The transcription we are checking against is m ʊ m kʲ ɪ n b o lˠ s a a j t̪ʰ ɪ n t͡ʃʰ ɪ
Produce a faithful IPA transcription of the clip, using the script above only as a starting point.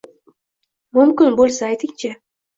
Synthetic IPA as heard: m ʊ m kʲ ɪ n b o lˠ s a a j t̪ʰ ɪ ŋ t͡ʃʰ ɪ